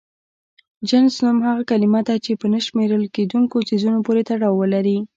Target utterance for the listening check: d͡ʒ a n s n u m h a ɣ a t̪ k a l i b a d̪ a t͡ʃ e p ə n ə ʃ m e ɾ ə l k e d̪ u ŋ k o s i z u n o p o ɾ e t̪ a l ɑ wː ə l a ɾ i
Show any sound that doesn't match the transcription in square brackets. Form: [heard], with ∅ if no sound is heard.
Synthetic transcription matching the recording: d͡ʒ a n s n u m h a ɣ a [∅] k a l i [m] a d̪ a t͡ʃ e p ə n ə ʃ m e ɾ ə l k e d̪ u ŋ k o s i z u n o p o ɾ e t̪ a [ɽ] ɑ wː ə l a ɾ i